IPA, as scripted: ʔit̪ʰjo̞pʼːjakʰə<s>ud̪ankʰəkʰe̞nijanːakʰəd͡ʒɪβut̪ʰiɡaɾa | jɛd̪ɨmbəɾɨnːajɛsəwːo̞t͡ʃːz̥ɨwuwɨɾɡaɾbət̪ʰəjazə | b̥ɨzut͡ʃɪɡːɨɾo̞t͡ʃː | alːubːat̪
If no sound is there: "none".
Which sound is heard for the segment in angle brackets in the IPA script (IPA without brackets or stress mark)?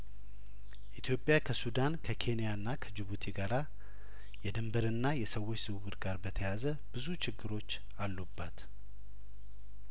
s